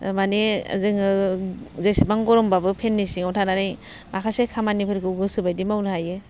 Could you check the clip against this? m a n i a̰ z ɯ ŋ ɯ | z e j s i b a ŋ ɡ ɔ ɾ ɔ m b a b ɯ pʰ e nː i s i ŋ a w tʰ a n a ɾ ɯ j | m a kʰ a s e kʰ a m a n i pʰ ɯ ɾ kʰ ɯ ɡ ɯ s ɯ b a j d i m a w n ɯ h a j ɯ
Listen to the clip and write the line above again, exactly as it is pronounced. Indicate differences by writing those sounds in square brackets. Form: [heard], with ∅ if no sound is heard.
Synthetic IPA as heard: m a n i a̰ z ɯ ŋ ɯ | z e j s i b a ŋ ɡ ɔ ɾ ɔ m b a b ɯ pʰ e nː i s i ŋ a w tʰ a n a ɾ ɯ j | m a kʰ a s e kʰ a m a n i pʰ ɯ ɾ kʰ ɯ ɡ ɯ s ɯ b a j d i m a w n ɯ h a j ɯ